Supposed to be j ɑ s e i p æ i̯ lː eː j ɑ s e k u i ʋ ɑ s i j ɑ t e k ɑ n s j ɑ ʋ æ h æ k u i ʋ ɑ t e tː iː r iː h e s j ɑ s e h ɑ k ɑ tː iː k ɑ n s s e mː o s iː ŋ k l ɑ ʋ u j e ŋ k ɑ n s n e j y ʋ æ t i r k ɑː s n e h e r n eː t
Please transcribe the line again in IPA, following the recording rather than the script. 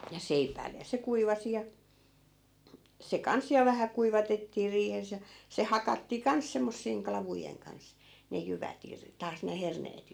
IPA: j ɑ s e i p æ i̯ lː e j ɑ s e k u i ʋ ɑ s i j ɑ s e k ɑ n s j ɑ ʋ æ h æ k u i ʋ ɑ t e tː iː r iː h e s j ɑ s e h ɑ k ɑ tː iː k ɑ n s s e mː o sː iː ŋ k l ɑ ʋ u j e ŋ k ɑ n s n e j y ʋ æ t i r t ɑː s n e h e r n eː t